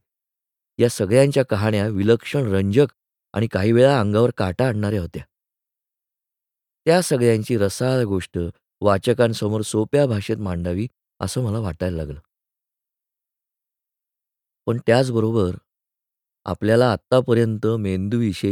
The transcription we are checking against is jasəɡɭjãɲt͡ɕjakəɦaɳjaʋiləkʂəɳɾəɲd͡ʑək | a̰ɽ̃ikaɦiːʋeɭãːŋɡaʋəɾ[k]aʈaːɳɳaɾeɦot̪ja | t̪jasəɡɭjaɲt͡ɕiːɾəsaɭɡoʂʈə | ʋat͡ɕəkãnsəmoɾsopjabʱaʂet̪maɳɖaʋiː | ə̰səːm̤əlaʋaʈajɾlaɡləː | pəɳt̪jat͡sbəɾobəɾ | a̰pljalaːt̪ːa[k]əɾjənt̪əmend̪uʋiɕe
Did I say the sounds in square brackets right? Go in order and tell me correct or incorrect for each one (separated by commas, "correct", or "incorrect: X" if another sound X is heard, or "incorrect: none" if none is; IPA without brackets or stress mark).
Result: correct, incorrect: p